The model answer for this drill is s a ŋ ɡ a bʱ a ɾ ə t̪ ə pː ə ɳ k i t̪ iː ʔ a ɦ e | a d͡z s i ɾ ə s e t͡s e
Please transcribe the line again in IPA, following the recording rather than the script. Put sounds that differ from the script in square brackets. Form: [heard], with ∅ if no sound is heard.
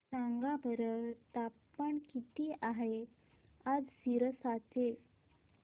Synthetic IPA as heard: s a ŋ ɡ a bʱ [ə] ɾ ə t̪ [a] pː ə ɳ k i t̪ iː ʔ a ɦ e | a d͡z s i ɾ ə s [a] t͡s e

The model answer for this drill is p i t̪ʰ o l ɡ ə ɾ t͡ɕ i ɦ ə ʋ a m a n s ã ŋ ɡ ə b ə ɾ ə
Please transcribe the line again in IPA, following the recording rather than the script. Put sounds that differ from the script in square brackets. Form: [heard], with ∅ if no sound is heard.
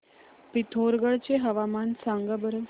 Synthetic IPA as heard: p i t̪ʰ o [ɾ] ɡ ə [ɭ] t͡ɕ [e] ɦ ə ʋ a m a n s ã ŋ ɡ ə b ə ɾ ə

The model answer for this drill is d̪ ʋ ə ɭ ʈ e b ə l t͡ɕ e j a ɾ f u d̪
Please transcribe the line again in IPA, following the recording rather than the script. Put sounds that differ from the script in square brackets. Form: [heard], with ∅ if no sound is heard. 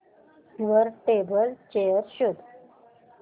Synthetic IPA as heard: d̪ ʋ ə [ɾ] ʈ e b ə l t͡ɕ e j [ə] ɾ [ɕ] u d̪

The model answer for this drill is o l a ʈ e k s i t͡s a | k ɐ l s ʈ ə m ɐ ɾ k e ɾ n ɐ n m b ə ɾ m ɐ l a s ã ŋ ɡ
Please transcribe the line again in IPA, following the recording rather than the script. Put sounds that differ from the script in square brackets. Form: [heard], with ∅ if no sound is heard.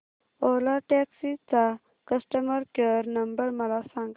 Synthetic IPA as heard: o l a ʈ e k s i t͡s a | k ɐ [∅] s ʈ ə m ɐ ɾ k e ɾ n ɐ [∅] m b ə ɾ m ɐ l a s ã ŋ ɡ

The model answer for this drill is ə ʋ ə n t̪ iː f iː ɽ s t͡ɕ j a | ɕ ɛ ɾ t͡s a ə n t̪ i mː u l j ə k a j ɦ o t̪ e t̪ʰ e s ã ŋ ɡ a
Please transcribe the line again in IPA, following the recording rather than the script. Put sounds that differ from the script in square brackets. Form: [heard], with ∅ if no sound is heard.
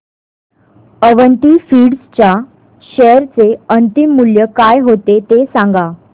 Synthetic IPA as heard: ə ʋ ə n t̪ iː f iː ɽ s t͡ɕ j a | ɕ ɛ ɾ t͡s [e] ə n t̪ i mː u l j ə k a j ɦ o t̪ e [t̪] e s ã ŋ ɡ a

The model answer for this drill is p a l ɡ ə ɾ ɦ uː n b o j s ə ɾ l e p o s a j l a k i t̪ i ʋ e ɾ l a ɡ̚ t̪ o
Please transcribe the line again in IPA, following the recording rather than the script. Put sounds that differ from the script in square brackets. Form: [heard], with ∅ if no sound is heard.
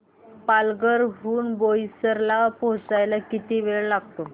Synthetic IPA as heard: p a l ɡ ə ɾ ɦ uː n b o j s ə ɾ l [a] p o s a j l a k i t̪ i ʋ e [ɭ] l a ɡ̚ t̪ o

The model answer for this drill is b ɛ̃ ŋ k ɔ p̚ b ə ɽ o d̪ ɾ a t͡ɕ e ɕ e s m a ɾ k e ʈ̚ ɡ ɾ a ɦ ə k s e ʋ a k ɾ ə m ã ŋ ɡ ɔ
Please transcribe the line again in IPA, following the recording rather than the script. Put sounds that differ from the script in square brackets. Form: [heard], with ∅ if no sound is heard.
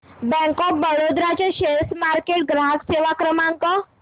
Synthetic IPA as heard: b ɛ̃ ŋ k ɔ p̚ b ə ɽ o d̪ ɾ a t͡ɕ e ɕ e s m a ɾ k e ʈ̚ ɡ ɾ a ɦ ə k s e ʋ a k ɾ ə m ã ŋ [k] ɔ

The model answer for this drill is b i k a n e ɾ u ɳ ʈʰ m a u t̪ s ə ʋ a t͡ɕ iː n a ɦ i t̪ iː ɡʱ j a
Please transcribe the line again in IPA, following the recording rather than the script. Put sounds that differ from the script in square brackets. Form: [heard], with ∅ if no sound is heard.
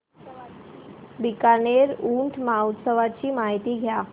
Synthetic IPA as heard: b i k a n e ɾ u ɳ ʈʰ m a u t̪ s ə ʋ a t͡ɕ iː [m] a ɦ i t̪ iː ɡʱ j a

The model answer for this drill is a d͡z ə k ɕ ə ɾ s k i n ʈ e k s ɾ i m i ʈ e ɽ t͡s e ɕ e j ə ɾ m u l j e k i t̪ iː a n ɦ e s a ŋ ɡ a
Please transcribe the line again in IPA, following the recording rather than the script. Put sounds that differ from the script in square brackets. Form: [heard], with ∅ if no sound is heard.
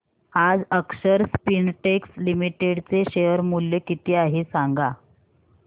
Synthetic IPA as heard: a d͡z ə k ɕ ə ɾ s [p] i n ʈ e k s [l] i m i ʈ e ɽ t͡s e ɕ e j ə ɾ m u l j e k i t̪ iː a [∅] ɦ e s a ŋ ɡ a

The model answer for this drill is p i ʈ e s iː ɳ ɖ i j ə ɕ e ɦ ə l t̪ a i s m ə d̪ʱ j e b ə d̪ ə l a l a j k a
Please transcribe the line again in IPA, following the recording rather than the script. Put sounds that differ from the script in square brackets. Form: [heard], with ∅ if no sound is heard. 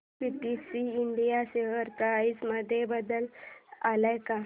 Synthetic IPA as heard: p i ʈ [i] s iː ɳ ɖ i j [a] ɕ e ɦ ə [ɾ] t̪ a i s m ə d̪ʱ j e b ə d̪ ə l a l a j k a

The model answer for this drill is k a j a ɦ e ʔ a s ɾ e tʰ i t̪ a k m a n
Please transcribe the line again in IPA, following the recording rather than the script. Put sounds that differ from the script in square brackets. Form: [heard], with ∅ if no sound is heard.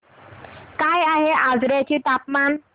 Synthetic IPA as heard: k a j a ɦ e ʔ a [z] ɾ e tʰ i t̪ a [p] m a n

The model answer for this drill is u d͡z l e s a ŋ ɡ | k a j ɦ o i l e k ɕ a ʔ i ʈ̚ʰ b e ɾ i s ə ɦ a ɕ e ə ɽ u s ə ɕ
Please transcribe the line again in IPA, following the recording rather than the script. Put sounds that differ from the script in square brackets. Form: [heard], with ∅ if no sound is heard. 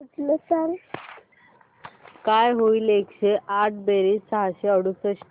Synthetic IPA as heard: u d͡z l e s a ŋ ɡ | k a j ɦ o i l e k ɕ [e] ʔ [a] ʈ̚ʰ b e ɾ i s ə ɦ a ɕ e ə ɽ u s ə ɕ

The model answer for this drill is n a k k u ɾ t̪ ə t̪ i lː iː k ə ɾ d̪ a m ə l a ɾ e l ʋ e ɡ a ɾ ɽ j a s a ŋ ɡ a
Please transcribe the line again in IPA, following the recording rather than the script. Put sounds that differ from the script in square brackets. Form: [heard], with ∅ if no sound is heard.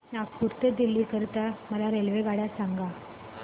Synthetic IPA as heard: n a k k u ɾ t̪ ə [d̪] i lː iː k ə ɾ [t̪] a m ə l a ɾ e l ʋ e ɡ a [∅] ɽ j a s a ŋ ɡ a

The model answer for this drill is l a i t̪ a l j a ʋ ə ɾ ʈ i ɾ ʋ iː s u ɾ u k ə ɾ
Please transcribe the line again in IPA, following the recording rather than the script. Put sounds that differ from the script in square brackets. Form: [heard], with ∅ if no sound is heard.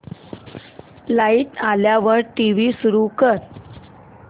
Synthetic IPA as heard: l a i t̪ a l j a ʋ ə ɾ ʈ i [∅] ʋ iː s u ɾ u k ə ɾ

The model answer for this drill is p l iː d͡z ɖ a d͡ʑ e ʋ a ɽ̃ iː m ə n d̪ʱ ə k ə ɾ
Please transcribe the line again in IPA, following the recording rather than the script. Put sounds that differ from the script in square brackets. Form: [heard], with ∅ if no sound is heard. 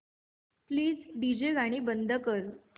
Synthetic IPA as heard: p l iː d͡z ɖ [i] d͡ʑ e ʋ a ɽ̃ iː [b] ə n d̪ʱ ə k ə ɾ

